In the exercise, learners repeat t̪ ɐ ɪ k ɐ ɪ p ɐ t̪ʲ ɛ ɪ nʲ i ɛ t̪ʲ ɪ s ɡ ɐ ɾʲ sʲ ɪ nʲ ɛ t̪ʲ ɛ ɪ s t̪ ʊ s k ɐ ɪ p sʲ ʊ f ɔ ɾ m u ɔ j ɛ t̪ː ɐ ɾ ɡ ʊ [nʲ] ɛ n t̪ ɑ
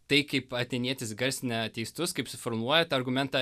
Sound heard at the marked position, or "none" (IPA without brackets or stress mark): mʲ